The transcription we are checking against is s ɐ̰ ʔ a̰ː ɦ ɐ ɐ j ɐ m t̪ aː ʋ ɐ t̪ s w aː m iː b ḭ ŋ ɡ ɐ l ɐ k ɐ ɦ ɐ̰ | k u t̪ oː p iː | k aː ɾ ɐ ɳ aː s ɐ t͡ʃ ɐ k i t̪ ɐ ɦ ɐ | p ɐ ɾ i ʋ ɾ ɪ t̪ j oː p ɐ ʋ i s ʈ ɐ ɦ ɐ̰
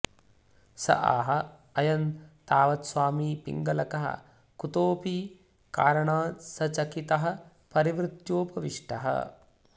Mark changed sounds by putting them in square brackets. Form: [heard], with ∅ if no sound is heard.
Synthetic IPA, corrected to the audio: s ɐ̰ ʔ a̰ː ɦ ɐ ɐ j ɐ [n] t̪ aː ʋ ɐ t̪ s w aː m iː [p] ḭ ŋ ɡ ɐ l ɐ k ɐ ɦ ɐ̰ | k u t̪ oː p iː | k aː ɾ ɐ ɳ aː s ɐ t͡ʃ ɐ k i t̪ ɐ ɦ ɐ | p ɐ ɾ i ʋ ɾ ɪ t̪ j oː p ɐ ʋ i [ʂ] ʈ ɐ ɦ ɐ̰